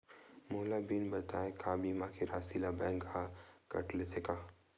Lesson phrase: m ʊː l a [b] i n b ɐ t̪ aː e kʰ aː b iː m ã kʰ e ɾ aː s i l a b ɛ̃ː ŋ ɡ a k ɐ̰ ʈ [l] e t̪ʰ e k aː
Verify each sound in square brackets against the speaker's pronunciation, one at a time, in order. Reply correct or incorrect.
correct, correct

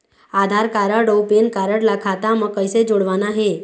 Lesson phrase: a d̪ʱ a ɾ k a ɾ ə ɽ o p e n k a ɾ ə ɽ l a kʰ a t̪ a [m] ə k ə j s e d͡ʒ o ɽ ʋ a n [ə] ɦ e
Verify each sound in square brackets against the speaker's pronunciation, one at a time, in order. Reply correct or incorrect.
correct, incorrect: a

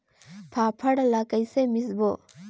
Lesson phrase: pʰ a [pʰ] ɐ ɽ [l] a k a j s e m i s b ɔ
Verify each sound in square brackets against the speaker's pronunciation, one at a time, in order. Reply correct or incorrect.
correct, correct

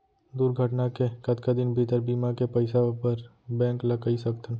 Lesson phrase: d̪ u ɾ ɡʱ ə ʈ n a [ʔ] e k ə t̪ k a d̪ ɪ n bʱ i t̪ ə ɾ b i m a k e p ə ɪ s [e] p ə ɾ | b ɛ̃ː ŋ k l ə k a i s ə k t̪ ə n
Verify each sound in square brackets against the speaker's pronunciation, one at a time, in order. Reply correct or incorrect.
incorrect: k, incorrect: a

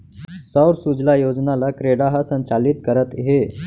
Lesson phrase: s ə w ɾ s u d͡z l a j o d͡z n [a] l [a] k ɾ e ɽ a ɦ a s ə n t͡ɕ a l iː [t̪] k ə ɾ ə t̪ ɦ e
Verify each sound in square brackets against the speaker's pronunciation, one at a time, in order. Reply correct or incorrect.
correct, correct, correct

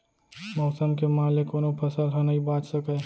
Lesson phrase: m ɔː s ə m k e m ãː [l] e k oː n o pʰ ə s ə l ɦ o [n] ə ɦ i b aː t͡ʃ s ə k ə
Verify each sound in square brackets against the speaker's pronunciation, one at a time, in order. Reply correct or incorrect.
correct, correct

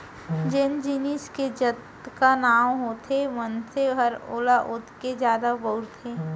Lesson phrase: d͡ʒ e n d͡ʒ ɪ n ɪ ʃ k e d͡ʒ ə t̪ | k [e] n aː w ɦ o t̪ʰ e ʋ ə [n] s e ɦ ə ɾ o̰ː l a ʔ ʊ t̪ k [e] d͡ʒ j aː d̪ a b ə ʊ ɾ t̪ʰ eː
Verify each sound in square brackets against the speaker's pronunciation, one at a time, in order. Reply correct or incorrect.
incorrect: a, correct, correct

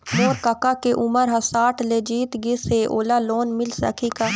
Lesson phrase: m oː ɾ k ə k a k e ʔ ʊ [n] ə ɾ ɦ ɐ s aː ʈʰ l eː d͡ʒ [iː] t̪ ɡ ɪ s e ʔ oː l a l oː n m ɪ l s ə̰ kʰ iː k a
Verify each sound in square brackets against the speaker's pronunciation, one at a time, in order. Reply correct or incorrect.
incorrect: m, correct

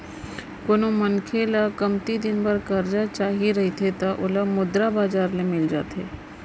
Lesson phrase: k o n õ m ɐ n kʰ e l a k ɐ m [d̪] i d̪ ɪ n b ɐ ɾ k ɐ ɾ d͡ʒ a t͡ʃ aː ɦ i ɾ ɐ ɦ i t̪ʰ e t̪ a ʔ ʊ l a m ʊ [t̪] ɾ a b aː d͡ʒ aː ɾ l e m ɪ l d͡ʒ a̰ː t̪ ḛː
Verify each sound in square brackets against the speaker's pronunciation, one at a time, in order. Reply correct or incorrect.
incorrect: t̪, incorrect: d̪

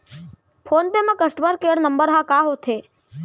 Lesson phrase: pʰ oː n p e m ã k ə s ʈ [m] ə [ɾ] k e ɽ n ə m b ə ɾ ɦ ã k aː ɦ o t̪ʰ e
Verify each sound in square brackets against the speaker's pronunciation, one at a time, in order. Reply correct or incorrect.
correct, correct

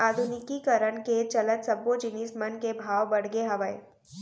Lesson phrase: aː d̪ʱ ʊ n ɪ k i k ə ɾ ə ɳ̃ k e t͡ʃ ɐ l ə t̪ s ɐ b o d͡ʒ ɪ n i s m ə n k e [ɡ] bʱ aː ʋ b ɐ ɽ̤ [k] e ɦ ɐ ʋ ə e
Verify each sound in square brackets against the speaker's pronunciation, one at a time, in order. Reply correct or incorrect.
incorrect: none, incorrect: ɡ

